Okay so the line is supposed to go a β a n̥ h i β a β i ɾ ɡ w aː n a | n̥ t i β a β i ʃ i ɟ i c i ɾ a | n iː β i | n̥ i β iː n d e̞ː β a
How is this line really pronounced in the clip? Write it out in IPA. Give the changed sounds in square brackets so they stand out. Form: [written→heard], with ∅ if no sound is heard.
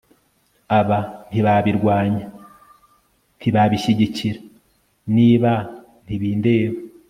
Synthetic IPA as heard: a β a n̥ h i β a β i ɾ ɡ w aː [n→ɲ] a | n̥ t i β a β i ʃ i ɟ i c i ɾ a | n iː β [i→a] | n̥ i β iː n d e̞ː β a